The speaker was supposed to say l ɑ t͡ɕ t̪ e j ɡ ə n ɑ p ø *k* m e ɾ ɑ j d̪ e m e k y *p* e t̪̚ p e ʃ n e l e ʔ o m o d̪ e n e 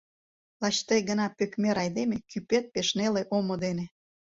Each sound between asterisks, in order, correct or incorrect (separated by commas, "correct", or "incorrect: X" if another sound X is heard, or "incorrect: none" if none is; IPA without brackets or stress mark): correct, correct